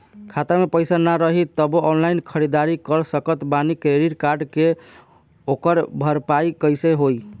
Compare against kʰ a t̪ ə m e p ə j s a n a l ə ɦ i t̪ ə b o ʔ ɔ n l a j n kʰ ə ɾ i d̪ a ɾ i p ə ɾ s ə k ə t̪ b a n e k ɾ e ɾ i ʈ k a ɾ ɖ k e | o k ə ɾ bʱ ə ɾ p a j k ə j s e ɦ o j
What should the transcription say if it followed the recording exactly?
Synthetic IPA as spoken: kʰ a t̪ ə m e p ə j s a n a ɾ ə ɦ i t̪ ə b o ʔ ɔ n l a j n kʰ ə ɾ i d̪ a ɾ i k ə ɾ s ə k ə t̪ b a n i k ɾ e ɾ i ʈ k a ɾ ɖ k e | o k ə ɾ bʱ ə ɾ p a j k ə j s e ɦ o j